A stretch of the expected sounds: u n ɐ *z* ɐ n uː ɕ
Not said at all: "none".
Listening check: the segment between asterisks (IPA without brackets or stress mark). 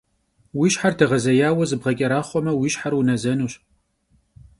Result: z